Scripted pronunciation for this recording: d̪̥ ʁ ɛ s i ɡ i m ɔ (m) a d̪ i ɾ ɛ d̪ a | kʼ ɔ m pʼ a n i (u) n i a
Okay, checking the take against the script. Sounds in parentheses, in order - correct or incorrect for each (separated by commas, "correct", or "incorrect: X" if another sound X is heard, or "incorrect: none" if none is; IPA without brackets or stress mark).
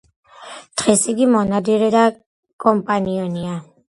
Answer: incorrect: n, incorrect: ɔ